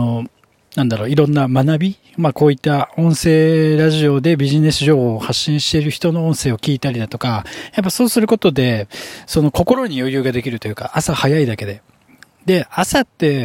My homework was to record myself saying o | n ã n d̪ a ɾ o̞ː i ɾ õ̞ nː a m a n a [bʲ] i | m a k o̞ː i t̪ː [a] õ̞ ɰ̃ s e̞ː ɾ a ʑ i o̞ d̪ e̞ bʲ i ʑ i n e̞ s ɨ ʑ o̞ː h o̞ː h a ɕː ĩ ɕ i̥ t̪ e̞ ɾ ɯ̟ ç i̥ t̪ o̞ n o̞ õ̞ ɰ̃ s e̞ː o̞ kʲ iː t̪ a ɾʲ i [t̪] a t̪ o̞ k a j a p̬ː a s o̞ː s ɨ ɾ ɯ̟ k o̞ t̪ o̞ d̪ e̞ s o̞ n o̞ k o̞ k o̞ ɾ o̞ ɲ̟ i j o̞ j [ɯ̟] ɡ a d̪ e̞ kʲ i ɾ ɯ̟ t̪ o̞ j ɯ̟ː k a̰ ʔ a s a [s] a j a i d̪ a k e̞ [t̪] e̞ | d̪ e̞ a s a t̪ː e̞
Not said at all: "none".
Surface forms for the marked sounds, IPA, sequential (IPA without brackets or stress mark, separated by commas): bʲ, a, d̪, ɯ̟ː, h, d̪